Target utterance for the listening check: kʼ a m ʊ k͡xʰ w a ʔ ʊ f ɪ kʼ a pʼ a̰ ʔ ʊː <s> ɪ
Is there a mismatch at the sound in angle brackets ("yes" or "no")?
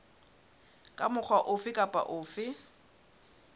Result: yes